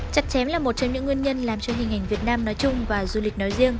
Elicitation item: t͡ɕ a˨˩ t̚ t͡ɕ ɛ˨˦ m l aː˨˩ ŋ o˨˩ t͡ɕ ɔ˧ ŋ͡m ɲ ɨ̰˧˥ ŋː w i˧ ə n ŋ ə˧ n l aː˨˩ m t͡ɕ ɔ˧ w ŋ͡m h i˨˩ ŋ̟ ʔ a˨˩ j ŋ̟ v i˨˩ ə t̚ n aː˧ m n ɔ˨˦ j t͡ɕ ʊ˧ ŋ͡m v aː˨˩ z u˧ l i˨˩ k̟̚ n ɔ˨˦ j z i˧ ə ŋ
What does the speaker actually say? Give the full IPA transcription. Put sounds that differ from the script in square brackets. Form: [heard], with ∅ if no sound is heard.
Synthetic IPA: t͡ɕ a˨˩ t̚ t͡ɕ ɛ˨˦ m l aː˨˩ [m] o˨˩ t͡ɕ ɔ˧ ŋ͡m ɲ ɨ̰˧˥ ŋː w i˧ ə n [ɲ] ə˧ n l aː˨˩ m t͡ɕ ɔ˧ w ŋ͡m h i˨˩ ŋ̟ ʔ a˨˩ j ŋ̟ v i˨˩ ə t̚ n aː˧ m n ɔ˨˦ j t͡ɕ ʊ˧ ŋ͡m v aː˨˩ z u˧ l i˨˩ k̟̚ n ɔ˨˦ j z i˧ ə ŋ